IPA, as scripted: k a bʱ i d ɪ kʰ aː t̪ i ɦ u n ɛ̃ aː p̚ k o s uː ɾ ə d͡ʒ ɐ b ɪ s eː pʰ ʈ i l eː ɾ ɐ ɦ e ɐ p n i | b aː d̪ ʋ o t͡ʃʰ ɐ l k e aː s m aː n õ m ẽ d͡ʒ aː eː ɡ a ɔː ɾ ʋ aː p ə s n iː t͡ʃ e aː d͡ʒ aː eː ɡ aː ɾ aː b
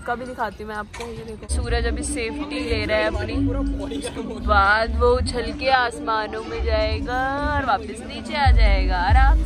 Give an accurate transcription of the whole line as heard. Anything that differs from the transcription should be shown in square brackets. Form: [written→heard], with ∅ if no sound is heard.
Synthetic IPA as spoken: k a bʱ i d ɪ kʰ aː t̪ i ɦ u [n→m] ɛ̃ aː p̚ k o s uː ɾ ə d͡ʒ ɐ b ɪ s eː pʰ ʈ i l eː ɾ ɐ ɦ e ɐ p n i | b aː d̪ ʋ o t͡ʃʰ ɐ l k e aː s m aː n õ m ẽ d͡ʒ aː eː ɡ a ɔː ɾ ʋ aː p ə s n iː t͡ʃ e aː d͡ʒ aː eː ɡ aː ɾ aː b